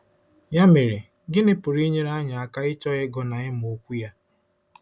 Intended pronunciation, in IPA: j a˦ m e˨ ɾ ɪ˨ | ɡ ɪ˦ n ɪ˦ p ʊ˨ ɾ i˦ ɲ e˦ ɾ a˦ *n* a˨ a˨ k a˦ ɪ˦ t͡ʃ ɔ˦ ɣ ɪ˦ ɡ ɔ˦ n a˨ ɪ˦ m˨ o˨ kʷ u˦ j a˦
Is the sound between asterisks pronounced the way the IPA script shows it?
no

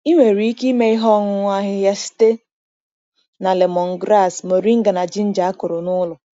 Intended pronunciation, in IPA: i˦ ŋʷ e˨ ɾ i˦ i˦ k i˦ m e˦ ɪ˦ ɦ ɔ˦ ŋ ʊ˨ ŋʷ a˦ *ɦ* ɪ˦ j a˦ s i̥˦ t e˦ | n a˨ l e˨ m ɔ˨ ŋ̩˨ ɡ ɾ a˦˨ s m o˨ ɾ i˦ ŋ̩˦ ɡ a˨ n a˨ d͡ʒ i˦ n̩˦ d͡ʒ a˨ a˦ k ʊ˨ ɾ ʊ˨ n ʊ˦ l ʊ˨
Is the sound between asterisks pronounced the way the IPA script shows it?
yes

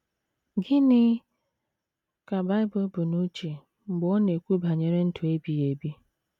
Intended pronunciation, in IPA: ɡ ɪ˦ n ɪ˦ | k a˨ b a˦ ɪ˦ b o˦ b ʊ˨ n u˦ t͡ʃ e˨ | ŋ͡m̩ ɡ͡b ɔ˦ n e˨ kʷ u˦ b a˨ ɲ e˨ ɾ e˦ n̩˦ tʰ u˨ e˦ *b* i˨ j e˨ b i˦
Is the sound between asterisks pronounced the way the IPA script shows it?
yes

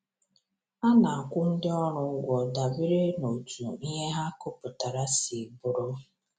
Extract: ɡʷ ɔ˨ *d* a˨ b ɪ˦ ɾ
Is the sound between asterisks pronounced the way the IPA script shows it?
yes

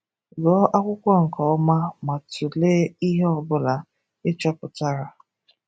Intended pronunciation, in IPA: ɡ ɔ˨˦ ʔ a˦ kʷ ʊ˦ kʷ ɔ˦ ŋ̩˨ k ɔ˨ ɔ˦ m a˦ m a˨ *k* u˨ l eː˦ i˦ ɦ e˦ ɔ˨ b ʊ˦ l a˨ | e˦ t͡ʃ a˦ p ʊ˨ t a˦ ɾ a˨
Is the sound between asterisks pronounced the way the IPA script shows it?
no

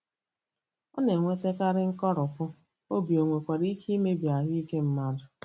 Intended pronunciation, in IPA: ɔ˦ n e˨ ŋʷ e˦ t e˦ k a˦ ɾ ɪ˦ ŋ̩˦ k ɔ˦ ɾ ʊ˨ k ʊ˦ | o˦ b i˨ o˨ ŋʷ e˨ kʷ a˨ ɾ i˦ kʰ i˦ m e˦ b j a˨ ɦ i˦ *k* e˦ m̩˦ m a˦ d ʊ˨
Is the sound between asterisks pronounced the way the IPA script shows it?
yes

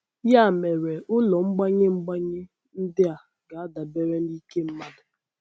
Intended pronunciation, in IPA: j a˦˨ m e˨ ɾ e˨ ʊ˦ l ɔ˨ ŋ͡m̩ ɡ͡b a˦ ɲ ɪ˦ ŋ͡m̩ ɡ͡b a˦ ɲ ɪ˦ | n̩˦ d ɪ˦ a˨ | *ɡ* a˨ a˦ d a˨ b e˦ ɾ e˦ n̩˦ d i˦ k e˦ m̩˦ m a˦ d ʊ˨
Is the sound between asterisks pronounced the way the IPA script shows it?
yes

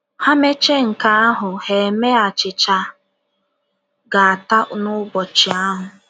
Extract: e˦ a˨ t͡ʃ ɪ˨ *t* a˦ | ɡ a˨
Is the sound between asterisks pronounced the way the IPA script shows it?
no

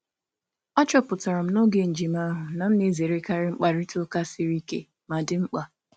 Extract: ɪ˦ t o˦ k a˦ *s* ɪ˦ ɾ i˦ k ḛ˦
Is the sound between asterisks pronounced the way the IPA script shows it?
yes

